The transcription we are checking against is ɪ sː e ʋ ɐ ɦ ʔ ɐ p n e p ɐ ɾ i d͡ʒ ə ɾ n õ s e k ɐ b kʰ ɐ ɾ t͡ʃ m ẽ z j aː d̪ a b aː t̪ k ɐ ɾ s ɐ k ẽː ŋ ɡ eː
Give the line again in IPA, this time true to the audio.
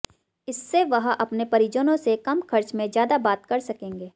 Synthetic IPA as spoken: ɪ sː e ʋ ɐ ɦ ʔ ɐ p n e p ɐ ɾ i d͡ʒ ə n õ s e k ɐ m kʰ ɐ ɾ t͡ʃ m ẽ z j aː d̪ a b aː t̪ k ɐ ɾ s ɐ k ẽː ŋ ɡ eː

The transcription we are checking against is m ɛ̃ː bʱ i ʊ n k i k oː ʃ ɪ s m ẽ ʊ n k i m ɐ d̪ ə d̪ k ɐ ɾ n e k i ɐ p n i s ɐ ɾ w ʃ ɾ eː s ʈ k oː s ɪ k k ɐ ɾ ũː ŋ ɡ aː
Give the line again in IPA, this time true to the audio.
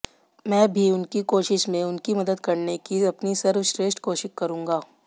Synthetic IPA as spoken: m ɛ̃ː bʱ i ʊ n k i k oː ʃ ɪ ʃ m ẽ ʊ n k i m ɐ d̪ ə d̪ k ɐ ɾ n e k i ɐ p n i s ɐ ɾ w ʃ ɾ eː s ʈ k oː ʃ ɪ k k ɐ ɾ ũː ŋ ɡ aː

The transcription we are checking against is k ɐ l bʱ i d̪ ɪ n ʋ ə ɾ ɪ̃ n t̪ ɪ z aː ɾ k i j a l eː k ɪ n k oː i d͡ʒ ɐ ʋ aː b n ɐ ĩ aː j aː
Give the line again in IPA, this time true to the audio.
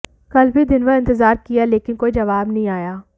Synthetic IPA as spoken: k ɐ l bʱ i d̪ ɪ n ʋ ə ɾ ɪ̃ n t̪ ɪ z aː ɾ k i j a l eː k ɪ n k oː i d͡ʒ ɐ ʋ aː b n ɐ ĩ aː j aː

